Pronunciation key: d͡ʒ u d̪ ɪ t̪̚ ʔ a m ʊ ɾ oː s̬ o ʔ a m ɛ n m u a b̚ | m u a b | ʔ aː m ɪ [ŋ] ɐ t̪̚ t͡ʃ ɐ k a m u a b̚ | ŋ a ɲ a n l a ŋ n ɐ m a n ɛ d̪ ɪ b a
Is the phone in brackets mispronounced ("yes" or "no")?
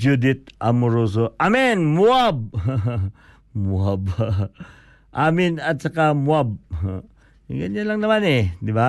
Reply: yes